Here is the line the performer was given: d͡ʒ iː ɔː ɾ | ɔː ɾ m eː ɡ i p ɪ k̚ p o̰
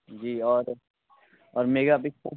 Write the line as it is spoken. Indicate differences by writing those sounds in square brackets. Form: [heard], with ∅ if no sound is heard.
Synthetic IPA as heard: d͡ʒ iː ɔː ɾ | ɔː ɾ m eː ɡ [a] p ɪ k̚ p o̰